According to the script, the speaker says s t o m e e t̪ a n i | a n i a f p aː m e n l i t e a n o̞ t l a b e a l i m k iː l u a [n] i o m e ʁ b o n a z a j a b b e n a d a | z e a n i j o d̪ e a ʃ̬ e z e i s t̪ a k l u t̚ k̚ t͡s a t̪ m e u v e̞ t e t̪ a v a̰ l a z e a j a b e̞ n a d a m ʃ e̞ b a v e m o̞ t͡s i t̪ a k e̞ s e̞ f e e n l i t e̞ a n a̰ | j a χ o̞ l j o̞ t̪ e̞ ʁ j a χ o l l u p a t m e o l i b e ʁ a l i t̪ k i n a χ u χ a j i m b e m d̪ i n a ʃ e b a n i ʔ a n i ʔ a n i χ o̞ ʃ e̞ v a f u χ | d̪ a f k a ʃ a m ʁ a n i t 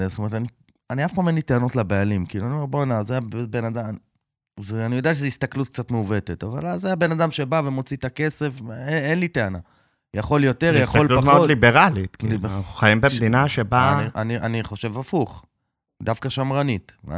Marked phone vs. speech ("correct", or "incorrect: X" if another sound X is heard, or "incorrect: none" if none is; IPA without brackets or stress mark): correct